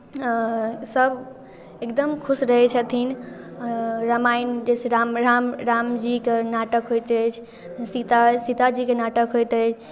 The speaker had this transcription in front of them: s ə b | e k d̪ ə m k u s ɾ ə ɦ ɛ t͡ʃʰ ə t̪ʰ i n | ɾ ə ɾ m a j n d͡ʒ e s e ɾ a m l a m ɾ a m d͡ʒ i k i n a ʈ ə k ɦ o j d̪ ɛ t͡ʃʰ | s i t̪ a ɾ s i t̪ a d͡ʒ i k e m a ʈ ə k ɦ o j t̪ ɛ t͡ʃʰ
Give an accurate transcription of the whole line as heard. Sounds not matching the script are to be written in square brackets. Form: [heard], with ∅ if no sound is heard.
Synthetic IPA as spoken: s ə b | e k d̪ ə m [kʰ] u s ɾ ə ɦ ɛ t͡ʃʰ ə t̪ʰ i n | ɾ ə [∅] m a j n d͡ʒ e s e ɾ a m [ɾ] a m ɾ a m d͡ʒ i k [e] n a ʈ ə k ɦ o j [t̪] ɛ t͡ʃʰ | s i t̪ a [∅] s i t̪ a d͡ʒ i k e [n] a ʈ ə k ɦ o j t̪ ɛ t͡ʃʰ